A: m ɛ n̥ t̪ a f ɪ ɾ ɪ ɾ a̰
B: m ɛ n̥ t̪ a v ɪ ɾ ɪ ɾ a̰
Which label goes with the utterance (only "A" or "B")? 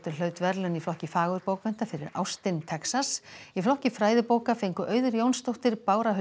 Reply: A